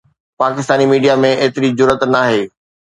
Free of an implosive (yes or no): yes